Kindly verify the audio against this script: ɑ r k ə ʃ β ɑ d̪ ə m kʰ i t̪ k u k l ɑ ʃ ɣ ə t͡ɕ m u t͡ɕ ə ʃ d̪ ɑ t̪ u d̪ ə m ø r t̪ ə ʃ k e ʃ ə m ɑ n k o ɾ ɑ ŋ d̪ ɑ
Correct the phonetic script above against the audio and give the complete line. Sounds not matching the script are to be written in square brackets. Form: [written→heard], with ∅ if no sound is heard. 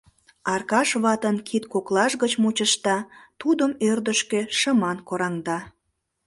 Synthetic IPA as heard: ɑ r k [ə→ɑ] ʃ β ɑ [d̪→t̪] ə [m→n] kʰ i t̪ k [u→o] k l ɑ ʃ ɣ ə t͡ɕ m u t͡ɕ ə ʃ [d̪→t̪] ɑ t̪ u d̪ ə m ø r [t̪→d̪] ə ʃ k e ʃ ə m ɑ n k o ɾ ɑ ŋ d̪ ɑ